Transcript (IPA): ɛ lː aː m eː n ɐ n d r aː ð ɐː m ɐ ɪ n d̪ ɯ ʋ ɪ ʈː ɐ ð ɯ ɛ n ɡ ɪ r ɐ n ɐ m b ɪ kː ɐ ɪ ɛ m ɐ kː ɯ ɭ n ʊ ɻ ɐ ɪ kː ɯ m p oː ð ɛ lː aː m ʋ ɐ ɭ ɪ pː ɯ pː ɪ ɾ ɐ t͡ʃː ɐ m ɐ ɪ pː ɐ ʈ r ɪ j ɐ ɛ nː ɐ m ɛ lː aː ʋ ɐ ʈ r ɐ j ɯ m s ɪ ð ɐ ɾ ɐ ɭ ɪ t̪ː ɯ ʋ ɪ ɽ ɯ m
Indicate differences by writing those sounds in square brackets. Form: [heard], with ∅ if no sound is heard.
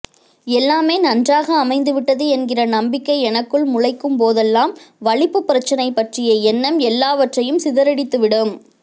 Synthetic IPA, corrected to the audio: ɛ lː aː m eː n ɐ n d r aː [ɣ] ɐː m ɐ ɪ n d̪ ɯ ʋ ɪ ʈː ɐ ð ɯ ɛ n ɡ ɪ r ɐ n ɐ m b ɪ kː ɐ ɪ ɛ [n] ɐ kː ɯ ɭ [m] ʊ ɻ ɐ ɪ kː ɯ m p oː ð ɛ lː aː m ʋ ɐ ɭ ɪ pː ɯ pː ɪ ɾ ɐ t͡ʃː ɐ [n] ɐ ɪ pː ɐ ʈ r ɪ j ɐ ɛ nː ɐ m ɛ lː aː ʋ ɐ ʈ r ɐ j ɯ m s ɪ ð ɐ ɾ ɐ [ɽ] ɪ t̪ː ɯ ʋ ɪ ɽ ɯ m